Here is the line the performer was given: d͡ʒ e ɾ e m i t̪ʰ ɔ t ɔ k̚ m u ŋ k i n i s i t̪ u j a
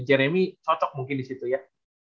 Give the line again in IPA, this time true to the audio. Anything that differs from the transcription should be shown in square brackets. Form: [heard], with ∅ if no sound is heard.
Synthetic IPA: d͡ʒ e ɾ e m i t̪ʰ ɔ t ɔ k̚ m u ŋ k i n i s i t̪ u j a